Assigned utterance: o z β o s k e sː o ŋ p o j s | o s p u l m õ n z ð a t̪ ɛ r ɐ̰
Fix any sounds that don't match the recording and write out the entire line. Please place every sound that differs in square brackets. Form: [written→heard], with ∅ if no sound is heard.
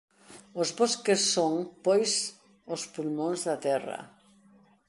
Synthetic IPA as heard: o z β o s k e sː o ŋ p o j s | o s p u l m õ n z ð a t̪ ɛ r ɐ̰